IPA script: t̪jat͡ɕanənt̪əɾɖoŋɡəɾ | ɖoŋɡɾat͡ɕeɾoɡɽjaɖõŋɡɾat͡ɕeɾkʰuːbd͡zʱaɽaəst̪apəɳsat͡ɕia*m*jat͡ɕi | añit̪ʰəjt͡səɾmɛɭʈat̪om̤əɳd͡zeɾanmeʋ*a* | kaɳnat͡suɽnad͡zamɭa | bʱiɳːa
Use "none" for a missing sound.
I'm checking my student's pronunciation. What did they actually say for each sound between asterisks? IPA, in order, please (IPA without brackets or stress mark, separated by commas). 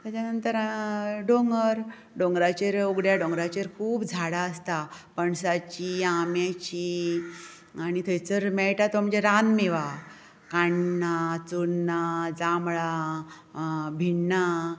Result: m, a